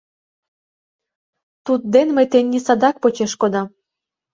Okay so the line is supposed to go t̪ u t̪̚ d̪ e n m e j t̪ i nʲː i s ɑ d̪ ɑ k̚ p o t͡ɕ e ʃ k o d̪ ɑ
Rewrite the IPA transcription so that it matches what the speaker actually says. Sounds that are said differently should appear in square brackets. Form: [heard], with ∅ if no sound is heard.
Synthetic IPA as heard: t̪ u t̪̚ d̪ e n m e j t̪ [e] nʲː i s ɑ d̪ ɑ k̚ p o t͡ɕ e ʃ k o d̪ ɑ